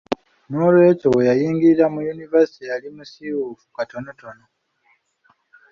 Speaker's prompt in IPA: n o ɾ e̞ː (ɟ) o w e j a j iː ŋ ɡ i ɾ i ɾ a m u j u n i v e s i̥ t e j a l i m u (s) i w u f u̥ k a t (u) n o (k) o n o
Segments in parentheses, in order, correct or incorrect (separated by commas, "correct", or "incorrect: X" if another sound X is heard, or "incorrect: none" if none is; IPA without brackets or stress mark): incorrect: c, correct, incorrect: o, incorrect: t